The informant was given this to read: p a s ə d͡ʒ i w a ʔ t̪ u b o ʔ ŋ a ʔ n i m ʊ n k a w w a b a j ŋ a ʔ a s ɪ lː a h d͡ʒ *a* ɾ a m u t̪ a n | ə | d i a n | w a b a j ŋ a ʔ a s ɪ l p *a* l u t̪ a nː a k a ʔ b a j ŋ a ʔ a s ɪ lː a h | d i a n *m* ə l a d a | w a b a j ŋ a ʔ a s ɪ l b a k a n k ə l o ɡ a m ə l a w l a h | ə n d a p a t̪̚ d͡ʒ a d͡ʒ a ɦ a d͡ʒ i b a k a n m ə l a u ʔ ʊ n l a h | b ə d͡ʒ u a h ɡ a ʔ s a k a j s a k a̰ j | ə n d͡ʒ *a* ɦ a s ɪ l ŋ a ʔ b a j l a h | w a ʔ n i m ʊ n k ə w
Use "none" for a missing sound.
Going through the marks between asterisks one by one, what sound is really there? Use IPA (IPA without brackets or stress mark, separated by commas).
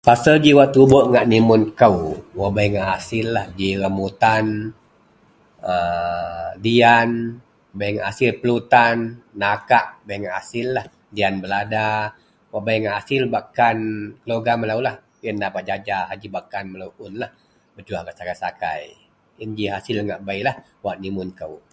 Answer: i, ə, b, i